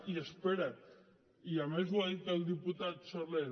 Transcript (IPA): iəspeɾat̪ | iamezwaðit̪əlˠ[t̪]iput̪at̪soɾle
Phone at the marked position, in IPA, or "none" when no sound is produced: d̪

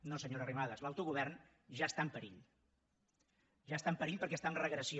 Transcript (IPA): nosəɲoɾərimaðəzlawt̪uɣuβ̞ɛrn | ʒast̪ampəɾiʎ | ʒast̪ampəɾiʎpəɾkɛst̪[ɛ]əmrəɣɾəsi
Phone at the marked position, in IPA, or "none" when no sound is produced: a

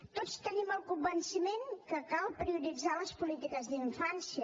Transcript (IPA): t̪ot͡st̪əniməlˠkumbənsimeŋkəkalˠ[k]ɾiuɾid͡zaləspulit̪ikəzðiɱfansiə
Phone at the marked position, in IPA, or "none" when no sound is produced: p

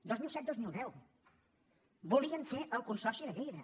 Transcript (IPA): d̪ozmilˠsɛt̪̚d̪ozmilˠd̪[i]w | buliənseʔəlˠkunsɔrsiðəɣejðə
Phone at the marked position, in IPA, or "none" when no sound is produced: ɛ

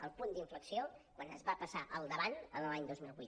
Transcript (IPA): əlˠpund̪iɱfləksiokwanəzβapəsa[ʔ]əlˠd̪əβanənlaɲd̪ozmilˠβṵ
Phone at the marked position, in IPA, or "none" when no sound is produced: ʔ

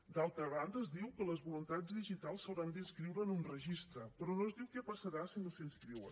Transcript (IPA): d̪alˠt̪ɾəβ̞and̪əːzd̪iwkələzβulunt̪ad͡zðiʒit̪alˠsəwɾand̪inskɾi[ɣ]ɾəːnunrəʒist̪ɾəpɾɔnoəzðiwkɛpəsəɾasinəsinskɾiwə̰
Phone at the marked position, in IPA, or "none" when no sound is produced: w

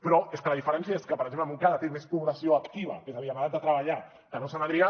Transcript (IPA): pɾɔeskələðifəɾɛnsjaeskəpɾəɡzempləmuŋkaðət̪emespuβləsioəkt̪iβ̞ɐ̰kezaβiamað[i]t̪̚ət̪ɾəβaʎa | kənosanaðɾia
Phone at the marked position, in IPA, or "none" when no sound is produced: a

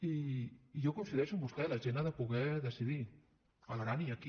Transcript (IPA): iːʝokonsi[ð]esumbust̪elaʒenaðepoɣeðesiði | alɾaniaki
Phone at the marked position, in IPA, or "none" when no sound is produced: ð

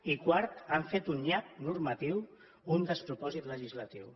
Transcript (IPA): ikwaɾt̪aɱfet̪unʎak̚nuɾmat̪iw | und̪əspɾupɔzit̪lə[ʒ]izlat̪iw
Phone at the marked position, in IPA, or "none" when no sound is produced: ʒ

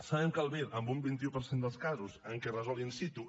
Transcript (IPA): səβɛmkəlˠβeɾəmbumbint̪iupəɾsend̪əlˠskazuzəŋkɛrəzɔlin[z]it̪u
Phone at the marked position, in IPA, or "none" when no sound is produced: s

